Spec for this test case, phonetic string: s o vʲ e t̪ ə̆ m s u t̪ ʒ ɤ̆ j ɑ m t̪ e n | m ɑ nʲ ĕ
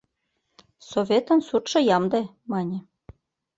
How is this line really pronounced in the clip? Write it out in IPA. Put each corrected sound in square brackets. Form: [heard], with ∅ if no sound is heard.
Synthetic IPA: s o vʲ e t̪ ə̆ [n] s u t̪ [ʃ] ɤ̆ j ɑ m [d̪] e [∅] | m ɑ nʲ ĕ